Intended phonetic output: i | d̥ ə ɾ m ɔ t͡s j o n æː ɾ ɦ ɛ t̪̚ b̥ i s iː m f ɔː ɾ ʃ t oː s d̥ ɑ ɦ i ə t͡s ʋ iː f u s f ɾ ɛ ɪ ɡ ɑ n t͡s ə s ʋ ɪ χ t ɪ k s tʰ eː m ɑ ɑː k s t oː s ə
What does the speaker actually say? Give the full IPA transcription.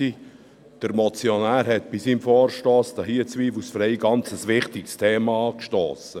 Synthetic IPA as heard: i | d̥ ə ɾ m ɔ t͡s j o n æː ɾ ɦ ɛ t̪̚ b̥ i s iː m f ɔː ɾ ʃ t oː s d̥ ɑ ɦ i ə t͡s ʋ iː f u s f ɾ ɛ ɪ ɡ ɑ n t͡s ə s ʋ ɪ χ t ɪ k s tʰ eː m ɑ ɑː k ʃ t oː s ə